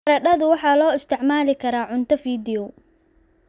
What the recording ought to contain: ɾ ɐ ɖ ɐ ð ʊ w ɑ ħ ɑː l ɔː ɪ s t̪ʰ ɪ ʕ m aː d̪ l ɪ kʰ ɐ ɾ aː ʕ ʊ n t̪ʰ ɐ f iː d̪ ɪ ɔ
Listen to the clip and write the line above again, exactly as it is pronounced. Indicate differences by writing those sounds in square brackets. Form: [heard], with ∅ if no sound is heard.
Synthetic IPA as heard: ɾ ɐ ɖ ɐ ð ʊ w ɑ ħ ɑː l ɔː ɪ s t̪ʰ ɪ ʕ m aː [∅] l ɪ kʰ ɐ ɾ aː ʕ ʊ n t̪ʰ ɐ f iː d̪ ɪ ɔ

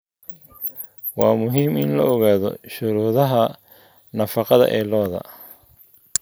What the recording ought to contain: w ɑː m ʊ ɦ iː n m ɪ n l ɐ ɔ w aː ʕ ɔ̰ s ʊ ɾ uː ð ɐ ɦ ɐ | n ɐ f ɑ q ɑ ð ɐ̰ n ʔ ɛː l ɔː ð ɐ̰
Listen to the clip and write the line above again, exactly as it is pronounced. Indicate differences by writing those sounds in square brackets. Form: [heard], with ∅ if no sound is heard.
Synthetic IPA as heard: w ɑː m ʊ ɦ iː [∅] m ɪ n l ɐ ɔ [ɣ] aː [ð] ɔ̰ [ʃ] ʊ ɾ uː ð ɐ ɦ ɐ | n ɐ f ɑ q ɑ ð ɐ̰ [∅] ʔ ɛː l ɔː ð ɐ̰

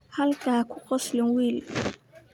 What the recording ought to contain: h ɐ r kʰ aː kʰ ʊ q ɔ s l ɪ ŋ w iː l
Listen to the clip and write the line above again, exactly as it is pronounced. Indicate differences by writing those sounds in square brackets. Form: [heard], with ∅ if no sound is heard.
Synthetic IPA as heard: h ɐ [l] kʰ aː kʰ ʊ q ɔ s l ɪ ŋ w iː l

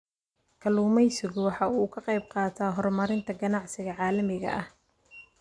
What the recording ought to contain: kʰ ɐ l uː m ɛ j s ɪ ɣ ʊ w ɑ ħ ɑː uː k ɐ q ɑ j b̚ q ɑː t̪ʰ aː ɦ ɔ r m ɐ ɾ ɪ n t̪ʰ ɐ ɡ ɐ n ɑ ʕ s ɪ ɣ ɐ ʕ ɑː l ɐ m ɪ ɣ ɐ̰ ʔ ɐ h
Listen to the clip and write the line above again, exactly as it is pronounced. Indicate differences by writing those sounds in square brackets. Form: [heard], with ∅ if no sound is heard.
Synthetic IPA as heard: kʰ ɐ l uː m ɛ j s ɪ ɣ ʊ w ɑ ħ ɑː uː [kʰ] ɐ q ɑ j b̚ q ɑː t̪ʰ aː ɦ ɔ r m ɐ ɾ ɪ n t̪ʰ ɐ ɡ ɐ n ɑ ʕ s ɪ ɣ ɐ ʕ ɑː l ɐ m ɪ ɣ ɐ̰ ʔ ɐ h

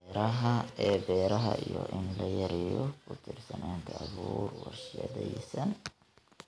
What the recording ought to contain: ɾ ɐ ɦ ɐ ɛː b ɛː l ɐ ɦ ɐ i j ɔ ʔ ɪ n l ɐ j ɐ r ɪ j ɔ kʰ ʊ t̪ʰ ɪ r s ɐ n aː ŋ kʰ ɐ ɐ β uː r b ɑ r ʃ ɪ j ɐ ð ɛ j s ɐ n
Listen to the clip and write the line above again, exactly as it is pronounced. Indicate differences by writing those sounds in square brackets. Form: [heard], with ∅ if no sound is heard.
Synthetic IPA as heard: ɾ ɐ ɦ ɐ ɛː b ɛː [ɾ] ɐ ɦ ɐ i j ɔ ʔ ɪ n l ɐ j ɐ [ɾ] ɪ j ɔ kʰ ʊ t̪ʰ ɪ r s ɐ n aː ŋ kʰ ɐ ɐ β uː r [w] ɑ r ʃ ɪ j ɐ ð ɛ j s ɐ n

